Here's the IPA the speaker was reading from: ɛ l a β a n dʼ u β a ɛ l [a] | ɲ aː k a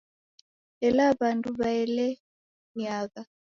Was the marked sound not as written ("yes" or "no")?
yes